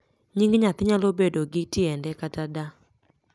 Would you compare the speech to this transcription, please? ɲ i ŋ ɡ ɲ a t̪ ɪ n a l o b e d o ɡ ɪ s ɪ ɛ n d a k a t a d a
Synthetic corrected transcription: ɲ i ŋ ɡ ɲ a t̪ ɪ ɲ a l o b e d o ɡ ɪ t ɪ ɛ n d ɛ k a t a d a